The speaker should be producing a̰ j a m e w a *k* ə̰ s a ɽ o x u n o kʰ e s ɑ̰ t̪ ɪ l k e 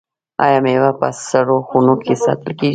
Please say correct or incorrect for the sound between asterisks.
incorrect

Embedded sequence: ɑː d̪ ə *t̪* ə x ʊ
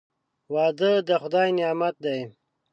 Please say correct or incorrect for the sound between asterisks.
incorrect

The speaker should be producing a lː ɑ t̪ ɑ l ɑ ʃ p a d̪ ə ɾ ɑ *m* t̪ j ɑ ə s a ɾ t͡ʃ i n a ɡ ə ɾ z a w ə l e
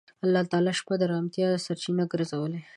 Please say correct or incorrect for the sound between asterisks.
correct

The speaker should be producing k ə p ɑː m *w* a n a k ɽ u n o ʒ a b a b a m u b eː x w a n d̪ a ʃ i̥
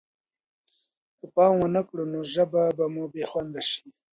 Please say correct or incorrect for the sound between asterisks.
correct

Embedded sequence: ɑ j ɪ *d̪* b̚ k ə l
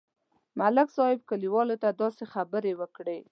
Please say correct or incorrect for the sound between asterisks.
incorrect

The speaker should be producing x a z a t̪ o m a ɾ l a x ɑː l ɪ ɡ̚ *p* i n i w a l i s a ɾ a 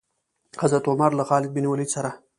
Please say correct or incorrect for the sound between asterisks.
incorrect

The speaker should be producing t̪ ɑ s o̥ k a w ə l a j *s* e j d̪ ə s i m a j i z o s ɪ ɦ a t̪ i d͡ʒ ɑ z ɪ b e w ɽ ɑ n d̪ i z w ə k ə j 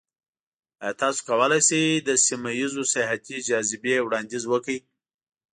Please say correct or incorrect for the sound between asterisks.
correct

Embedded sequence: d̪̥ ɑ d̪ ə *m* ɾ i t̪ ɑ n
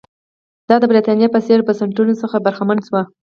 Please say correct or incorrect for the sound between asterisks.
incorrect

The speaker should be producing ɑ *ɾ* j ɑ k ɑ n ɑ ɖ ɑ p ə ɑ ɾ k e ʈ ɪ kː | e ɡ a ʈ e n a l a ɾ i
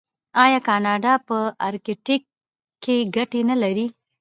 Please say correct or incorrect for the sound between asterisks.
incorrect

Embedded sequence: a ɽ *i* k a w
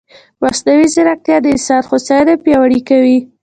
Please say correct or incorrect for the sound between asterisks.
correct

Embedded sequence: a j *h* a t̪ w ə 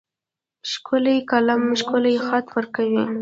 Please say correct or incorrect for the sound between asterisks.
incorrect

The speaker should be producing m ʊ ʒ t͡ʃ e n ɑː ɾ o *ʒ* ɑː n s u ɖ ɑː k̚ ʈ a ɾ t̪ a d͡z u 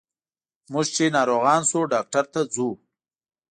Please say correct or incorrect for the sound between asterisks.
incorrect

